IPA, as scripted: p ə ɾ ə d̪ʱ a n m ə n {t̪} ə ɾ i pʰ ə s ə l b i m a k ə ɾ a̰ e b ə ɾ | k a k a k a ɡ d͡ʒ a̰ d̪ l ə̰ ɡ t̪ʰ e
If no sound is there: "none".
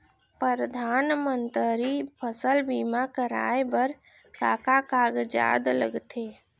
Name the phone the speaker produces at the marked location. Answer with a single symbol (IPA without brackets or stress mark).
t̪